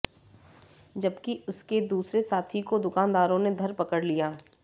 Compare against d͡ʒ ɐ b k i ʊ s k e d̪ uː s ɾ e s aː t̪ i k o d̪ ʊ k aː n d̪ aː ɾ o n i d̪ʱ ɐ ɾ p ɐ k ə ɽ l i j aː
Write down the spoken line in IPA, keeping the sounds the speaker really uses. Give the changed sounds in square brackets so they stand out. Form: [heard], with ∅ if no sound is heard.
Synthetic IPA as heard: d͡ʒ ɐ b k i ʊ s k e d̪ uː s ɾ e s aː [t̪ʰ] i k o d̪ ʊ k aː n d̪ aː ɾ [õ] n [e] d̪ʱ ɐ ɾ p ɐ k ə ɽ l i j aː